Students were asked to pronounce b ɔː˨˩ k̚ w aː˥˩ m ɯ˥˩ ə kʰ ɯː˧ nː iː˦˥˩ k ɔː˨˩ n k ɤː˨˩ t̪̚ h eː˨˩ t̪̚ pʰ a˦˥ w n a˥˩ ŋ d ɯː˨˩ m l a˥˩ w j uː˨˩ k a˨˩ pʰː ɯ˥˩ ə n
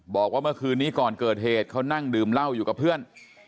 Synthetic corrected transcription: b ɔː˨˩ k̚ w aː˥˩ m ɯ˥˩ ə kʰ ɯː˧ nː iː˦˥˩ k ɔː˨˩ n k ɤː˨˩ t̪̚ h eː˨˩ t̪̚ kʰ a˦˥ w n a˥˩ ŋ d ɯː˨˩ m l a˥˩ w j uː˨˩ k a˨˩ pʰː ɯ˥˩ ə n